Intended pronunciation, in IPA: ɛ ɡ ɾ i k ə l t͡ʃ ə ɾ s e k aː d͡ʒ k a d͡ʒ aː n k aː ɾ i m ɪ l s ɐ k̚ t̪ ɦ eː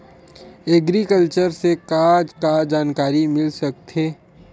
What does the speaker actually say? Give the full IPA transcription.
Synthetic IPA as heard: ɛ ɡ ɾ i k ə l t͡ʃ ə ɾ s e k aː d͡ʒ k a d͡ʒ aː n k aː ɾ i m ɪ l s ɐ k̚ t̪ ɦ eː